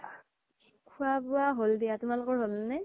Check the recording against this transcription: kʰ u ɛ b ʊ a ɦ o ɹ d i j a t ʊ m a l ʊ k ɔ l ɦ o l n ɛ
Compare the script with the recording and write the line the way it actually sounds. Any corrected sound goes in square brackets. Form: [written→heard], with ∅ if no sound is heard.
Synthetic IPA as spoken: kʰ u [ɛ→a] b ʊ a ɦ o [ɹ→l] d i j a t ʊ m a l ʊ k ɔ [l→ɹ] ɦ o l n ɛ